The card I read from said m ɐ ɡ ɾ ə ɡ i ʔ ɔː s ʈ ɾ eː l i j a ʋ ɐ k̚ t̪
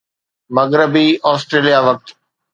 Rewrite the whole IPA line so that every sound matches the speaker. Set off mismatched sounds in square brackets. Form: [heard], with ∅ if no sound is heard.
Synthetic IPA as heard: m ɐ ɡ ɾ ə [b] i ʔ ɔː s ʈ ɾ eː l i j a ʋ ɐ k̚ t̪